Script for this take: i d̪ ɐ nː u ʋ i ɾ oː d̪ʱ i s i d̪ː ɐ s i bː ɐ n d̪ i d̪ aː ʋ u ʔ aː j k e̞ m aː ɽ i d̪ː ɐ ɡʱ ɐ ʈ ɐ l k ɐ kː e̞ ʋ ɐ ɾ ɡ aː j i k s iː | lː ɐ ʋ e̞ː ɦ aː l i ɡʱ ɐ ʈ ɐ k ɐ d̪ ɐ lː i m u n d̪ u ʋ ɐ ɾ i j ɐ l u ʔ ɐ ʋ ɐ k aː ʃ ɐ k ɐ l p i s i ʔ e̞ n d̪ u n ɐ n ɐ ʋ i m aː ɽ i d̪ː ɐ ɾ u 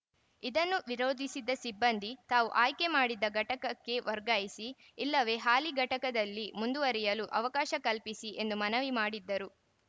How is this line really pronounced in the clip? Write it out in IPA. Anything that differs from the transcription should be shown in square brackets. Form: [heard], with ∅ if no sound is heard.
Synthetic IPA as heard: i d̪ ɐ nː u ʋ i ɾ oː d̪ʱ i s i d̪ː ɐ s i bː ɐ n d̪ i [t̪] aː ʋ u ʔ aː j k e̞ m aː ɽ i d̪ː ɐ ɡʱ ɐ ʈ ɐ [∅] k ɐ kː e̞ ʋ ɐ ɾ ɡ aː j i [∅] s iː | lː ɐ ʋ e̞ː ɦ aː l i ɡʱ ɐ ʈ ɐ k ɐ d̪ ɐ lː i m u n d̪ u ʋ ɐ ɾ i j ɐ l u ʔ ɐ ʋ ɐ k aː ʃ ɐ k ɐ l p i s i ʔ e̞ n d̪ u [m] ɐ n ɐ ʋ i m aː ɽ i d̪ː ɐ ɾ u